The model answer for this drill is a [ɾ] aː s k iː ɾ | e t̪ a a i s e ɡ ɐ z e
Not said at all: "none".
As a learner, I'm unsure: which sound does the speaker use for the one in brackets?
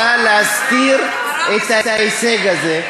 l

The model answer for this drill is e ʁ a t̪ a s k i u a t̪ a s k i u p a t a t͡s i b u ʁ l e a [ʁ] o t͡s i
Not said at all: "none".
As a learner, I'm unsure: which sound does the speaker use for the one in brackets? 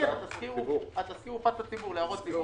ʁ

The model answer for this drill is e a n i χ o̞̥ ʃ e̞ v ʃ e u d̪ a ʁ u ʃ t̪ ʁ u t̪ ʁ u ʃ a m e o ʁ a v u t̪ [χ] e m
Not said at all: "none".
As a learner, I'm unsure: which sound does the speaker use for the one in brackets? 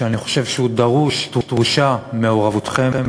χ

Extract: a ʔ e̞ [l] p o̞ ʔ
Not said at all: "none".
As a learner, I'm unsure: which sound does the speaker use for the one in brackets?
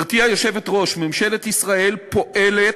l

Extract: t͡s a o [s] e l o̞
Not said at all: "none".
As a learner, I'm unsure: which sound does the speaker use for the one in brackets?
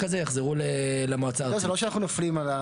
z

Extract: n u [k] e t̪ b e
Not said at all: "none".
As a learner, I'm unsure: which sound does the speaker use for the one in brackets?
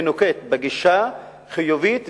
k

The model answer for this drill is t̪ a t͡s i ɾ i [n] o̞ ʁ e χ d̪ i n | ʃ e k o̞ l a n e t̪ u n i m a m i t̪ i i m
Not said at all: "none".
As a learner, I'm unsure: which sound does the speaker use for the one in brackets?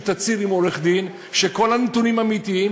m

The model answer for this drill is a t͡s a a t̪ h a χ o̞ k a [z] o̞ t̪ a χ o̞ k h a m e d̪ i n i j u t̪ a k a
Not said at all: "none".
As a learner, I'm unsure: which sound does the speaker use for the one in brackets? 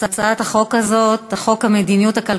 z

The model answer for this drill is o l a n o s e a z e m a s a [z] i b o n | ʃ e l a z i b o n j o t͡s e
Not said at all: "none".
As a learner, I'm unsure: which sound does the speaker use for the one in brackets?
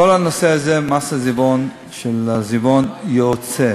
z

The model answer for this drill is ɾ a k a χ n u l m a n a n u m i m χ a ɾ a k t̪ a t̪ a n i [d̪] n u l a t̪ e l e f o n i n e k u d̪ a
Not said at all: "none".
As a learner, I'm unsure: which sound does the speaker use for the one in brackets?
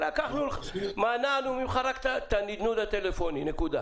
d̪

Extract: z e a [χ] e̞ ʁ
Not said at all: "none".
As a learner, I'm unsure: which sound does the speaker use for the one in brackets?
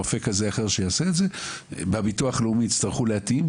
χ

